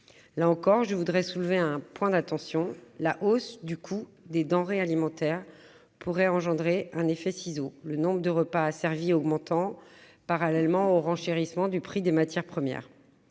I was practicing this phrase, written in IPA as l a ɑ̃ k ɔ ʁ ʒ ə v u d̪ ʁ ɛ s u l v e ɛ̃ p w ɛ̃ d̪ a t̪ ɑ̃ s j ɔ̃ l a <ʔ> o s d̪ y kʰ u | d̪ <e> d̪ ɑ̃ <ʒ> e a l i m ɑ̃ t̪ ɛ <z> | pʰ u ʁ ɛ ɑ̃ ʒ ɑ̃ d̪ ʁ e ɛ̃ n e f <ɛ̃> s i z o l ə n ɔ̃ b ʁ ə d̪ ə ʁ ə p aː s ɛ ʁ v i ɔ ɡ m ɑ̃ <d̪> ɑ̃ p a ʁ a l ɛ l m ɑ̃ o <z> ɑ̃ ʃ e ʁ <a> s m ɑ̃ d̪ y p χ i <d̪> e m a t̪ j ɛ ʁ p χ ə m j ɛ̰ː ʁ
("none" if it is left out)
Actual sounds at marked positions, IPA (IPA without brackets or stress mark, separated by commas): ʔ, e, ʁ, ʁ, ɛ, t̪, ʁ, i, d̪